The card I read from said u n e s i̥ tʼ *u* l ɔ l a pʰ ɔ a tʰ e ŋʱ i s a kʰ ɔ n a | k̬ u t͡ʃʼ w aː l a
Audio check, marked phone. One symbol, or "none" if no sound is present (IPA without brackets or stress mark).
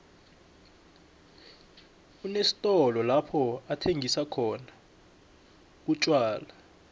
ɔ